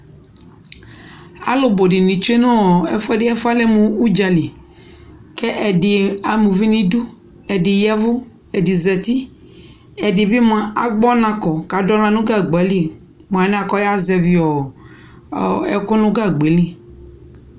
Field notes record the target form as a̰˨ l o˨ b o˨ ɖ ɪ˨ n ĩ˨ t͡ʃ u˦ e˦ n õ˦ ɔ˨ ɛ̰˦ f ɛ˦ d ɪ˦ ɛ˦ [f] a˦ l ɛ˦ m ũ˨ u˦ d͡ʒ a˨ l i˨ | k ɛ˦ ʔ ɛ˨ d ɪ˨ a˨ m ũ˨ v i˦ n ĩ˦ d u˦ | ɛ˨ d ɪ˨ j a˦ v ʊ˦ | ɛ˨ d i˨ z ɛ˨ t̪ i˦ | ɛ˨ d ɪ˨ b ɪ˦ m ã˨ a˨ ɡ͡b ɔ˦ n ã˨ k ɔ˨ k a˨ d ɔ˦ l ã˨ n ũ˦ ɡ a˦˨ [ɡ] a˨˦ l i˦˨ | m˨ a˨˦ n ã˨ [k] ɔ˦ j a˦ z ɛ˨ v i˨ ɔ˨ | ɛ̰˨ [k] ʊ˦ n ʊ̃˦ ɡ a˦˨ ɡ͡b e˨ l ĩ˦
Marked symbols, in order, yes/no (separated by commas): yes, no, yes, yes